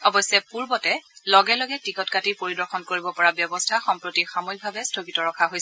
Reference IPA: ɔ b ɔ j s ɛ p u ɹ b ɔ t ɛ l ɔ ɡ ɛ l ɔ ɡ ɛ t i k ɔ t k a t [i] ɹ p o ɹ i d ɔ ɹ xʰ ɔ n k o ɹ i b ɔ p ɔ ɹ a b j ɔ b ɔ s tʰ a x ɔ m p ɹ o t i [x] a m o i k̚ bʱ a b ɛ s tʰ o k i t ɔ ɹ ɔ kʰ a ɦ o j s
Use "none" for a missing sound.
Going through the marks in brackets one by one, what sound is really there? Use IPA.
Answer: i, x

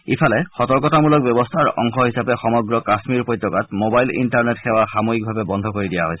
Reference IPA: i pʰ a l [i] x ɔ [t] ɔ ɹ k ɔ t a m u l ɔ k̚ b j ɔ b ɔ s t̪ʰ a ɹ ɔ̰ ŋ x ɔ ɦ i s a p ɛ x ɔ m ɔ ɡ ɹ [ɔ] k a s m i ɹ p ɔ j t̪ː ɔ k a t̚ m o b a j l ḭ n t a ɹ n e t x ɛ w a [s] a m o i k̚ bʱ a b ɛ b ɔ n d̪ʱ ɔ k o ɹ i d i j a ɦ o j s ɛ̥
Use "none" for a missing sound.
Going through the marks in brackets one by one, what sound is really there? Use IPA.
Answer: ɛ, t, ɔ, x

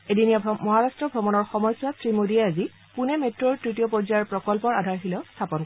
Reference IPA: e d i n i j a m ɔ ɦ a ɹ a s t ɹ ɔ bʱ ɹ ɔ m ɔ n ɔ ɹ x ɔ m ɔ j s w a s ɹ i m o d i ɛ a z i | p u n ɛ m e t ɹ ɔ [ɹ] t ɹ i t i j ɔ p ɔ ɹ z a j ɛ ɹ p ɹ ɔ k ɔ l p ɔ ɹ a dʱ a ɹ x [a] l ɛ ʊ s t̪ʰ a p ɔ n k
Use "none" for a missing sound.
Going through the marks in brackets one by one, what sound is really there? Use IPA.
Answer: ɹ, i

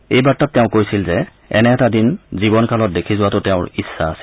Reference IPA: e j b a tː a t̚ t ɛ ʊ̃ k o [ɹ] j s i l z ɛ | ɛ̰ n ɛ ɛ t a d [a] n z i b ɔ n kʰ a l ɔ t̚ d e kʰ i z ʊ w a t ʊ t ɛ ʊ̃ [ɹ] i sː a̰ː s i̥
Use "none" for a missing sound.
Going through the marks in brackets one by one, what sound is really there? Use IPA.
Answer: none, i, ɹ

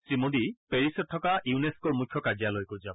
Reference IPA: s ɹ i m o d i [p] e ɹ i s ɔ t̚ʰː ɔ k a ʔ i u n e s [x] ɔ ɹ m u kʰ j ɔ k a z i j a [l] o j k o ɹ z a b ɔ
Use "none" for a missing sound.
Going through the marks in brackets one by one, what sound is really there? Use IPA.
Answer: p, k, l

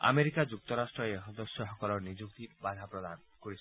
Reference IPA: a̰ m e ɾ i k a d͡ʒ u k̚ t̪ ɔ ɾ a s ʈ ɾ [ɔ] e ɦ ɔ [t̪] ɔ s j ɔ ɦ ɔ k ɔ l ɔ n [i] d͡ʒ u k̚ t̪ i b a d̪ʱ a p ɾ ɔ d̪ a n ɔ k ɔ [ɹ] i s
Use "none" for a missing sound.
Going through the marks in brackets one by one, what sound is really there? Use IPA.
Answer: ɔ, d̪, i, ɾ

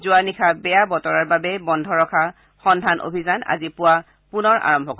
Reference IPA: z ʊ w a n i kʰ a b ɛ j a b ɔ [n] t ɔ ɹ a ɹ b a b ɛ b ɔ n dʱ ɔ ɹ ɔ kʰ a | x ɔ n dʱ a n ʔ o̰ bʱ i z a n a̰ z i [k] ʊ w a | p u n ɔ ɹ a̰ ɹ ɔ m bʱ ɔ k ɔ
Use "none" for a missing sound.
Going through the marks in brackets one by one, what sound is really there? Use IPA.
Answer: none, p

